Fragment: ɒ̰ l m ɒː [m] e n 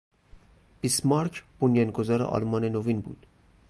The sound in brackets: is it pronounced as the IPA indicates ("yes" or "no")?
no